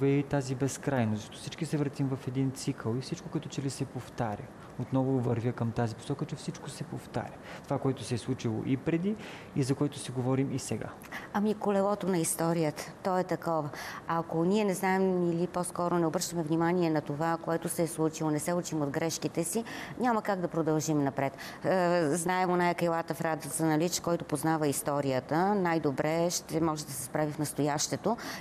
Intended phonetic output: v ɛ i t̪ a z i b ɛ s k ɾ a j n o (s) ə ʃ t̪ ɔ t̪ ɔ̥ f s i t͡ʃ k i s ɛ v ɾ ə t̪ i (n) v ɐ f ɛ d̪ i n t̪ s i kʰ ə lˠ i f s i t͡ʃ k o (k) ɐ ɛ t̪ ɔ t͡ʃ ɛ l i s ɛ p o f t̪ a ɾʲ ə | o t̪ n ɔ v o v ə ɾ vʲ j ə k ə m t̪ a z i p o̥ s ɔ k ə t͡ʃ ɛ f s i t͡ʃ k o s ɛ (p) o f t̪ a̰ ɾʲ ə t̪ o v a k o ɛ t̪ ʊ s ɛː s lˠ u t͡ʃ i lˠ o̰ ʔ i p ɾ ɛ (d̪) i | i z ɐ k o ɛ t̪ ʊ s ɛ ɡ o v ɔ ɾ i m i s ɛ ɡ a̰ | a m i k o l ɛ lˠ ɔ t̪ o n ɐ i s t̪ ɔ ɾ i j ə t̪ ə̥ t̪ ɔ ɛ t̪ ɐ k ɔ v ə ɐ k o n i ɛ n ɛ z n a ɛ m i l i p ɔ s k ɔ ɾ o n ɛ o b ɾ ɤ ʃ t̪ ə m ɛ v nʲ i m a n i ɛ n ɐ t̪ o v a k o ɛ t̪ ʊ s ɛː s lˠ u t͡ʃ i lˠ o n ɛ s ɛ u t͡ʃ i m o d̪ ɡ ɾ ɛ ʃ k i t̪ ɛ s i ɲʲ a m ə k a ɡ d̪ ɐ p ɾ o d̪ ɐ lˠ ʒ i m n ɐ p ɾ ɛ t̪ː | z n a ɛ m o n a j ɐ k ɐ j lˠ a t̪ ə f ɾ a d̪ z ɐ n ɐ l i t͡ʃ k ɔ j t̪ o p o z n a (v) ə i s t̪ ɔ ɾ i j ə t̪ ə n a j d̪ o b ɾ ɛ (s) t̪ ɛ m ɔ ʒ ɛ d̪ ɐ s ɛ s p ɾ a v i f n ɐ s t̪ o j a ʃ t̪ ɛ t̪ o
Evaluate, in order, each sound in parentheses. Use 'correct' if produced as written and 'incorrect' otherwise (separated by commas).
incorrect, incorrect, correct, correct, correct, correct, incorrect